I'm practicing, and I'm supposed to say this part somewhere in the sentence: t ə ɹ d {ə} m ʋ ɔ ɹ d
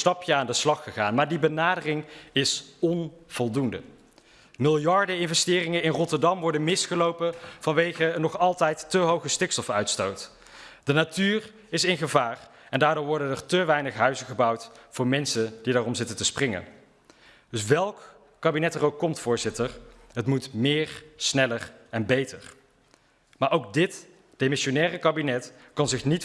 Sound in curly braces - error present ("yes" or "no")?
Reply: yes